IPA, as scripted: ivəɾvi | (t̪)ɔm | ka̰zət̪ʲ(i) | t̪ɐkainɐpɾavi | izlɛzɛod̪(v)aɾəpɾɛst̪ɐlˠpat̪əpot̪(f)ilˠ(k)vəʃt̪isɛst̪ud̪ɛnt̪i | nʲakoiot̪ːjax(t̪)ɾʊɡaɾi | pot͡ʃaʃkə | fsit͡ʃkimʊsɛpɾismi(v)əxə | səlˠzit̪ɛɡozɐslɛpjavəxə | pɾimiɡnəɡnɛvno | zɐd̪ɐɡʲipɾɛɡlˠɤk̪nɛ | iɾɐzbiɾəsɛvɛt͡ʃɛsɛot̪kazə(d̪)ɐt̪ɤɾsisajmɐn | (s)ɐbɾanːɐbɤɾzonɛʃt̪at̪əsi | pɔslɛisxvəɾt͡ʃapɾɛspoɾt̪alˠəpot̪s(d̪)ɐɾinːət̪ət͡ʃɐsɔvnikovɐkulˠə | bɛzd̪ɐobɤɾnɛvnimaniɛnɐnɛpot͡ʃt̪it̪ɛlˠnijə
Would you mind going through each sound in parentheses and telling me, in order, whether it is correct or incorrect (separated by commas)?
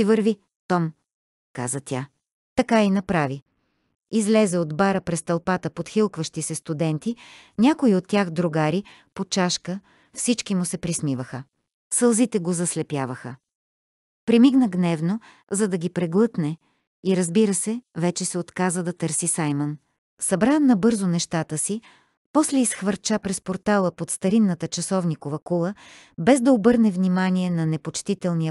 correct, incorrect, incorrect, incorrect, correct, incorrect, correct, correct, correct, incorrect